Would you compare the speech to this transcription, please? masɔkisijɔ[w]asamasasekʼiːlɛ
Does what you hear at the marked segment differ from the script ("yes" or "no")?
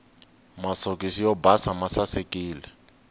yes